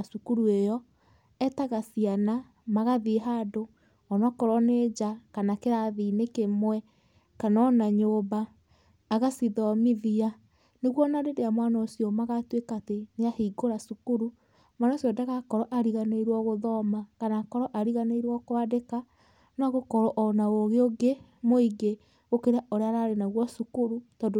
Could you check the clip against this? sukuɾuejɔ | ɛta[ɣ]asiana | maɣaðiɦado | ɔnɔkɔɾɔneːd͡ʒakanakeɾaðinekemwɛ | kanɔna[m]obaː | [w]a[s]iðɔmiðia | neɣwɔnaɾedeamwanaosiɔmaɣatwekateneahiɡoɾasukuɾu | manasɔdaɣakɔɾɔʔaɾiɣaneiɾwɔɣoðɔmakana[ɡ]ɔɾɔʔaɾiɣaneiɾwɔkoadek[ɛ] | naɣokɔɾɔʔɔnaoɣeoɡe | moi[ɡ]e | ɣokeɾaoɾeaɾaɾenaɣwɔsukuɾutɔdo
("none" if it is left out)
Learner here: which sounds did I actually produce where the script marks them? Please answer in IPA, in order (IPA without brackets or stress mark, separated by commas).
ɣ, ɲ, ɣ, s, k, a, ɡ